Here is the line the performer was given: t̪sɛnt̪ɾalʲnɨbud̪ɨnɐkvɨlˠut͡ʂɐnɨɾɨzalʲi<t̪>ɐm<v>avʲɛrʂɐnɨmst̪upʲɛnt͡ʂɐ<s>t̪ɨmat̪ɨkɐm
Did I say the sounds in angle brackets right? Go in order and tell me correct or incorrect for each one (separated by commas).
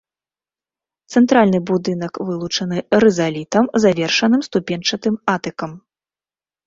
correct, incorrect, incorrect